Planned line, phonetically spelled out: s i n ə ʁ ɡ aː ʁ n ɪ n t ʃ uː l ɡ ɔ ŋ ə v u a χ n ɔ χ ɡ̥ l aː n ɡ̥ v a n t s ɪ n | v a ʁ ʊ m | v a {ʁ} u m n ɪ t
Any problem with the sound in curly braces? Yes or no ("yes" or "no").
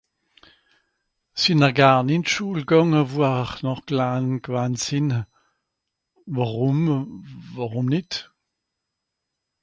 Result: no